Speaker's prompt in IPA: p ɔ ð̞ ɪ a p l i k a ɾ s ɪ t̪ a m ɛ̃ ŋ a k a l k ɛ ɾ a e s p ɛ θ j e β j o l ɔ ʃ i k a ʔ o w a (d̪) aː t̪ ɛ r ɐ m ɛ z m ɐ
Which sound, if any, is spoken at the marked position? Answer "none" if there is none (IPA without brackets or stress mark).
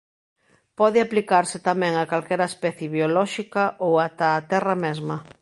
t̪